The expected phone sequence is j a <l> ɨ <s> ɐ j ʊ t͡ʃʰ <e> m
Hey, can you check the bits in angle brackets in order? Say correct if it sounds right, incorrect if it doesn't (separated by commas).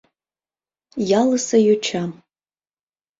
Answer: correct, correct, incorrect